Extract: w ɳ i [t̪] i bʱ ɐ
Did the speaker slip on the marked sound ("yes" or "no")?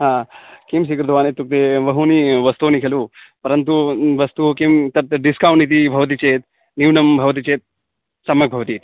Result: no